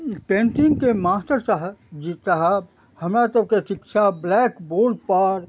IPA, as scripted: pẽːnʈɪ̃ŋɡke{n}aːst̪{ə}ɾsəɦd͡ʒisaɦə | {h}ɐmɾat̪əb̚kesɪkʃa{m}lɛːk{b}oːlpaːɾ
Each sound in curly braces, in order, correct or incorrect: incorrect, correct, correct, incorrect, correct

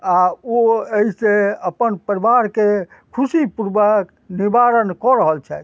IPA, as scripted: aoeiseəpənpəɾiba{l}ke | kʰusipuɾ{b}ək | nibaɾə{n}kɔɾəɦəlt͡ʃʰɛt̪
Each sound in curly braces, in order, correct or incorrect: incorrect, correct, correct

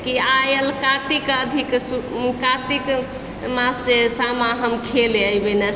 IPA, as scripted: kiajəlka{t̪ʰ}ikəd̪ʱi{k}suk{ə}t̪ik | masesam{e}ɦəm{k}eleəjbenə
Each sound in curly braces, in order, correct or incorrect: incorrect, correct, incorrect, incorrect, incorrect

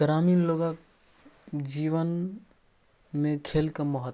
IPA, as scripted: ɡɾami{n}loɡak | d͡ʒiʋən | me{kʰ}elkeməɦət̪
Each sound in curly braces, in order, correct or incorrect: correct, correct

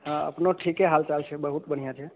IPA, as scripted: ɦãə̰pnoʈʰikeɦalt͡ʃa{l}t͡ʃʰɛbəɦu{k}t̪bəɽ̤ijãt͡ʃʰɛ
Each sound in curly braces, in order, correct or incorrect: correct, incorrect

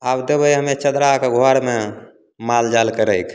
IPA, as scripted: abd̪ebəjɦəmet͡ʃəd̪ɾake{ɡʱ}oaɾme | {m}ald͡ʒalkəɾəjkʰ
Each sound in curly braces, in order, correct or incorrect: correct, correct

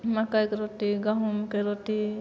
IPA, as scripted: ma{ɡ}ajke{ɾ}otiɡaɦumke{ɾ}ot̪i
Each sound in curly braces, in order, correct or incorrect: incorrect, correct, correct

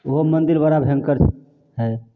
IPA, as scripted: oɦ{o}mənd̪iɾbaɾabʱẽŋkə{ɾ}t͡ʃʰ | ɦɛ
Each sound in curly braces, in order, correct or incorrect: correct, correct

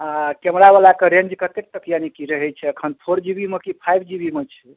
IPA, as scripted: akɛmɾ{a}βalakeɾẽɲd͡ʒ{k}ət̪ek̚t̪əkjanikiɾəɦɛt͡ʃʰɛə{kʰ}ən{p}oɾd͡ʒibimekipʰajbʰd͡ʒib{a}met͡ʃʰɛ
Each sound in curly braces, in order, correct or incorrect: correct, correct, correct, incorrect, incorrect

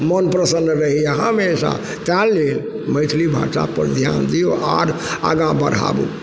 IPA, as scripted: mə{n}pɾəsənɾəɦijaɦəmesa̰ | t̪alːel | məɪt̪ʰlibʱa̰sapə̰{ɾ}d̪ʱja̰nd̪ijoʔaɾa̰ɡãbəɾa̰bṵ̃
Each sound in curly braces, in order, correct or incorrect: correct, correct

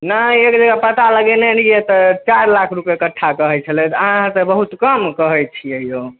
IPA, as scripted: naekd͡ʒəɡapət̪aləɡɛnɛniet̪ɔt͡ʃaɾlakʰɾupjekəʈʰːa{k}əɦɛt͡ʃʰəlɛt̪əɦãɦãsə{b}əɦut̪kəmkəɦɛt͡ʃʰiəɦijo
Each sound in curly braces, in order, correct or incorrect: correct, correct

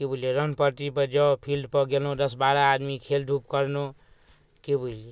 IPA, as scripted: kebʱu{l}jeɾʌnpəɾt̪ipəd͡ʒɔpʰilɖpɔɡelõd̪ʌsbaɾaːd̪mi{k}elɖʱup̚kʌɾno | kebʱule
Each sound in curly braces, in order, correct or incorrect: correct, incorrect

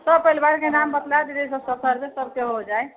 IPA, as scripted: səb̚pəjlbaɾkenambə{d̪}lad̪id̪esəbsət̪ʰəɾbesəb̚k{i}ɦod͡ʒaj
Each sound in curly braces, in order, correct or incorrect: incorrect, incorrect

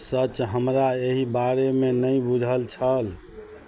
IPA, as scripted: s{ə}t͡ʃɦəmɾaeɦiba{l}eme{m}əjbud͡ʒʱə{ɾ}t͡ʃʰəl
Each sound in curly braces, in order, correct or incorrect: correct, incorrect, incorrect, incorrect

